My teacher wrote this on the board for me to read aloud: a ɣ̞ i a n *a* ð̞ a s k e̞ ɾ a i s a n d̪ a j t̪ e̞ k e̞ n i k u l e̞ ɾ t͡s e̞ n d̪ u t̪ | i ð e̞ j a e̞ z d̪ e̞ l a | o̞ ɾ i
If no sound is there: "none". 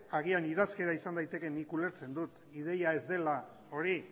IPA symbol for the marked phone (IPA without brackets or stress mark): i